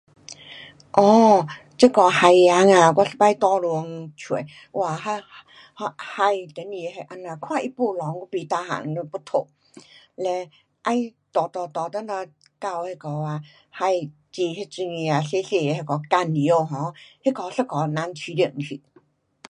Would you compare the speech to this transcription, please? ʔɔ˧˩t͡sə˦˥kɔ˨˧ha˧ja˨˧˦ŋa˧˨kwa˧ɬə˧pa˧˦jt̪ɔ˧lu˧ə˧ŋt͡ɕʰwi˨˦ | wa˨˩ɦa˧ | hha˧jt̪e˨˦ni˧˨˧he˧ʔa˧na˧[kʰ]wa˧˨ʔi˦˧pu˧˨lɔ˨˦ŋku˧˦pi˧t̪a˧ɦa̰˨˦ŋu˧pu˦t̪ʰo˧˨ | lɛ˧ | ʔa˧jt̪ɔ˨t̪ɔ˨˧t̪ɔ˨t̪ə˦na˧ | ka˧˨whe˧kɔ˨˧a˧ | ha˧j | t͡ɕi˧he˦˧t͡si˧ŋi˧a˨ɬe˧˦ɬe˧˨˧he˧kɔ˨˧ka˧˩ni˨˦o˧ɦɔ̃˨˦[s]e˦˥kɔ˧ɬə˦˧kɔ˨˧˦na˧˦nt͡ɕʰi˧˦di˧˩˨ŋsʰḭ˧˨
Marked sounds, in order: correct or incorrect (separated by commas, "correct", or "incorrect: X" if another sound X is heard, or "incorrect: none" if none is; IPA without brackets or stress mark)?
correct, incorrect: h